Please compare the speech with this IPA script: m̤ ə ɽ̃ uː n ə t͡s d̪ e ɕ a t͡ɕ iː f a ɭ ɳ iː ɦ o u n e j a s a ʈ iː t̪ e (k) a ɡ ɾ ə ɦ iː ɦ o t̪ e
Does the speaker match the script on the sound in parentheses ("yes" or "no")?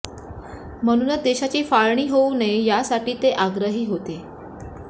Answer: no